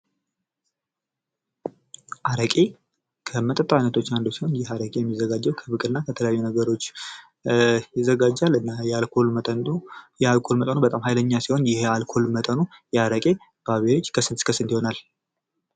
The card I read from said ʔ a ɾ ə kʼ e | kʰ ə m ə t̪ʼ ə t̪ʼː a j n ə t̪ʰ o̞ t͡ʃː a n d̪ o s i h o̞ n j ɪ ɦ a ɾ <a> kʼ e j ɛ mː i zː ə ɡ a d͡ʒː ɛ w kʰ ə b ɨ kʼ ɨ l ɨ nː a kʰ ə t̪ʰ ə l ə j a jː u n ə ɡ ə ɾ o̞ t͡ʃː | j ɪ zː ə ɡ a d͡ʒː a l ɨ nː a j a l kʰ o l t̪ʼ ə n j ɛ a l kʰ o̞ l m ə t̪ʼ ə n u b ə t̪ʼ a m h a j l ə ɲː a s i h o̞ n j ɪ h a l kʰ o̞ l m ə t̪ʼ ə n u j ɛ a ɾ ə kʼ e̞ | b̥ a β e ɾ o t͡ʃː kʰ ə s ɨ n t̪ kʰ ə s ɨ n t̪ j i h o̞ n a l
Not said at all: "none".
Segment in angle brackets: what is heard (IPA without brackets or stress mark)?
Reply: ə